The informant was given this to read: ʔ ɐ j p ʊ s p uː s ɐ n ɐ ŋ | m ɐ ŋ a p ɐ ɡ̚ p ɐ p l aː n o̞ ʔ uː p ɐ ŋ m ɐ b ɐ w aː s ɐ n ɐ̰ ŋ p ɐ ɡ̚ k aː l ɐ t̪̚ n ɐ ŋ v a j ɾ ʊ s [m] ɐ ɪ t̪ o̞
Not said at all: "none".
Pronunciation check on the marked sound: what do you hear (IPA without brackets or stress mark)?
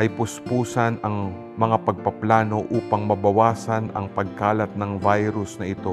n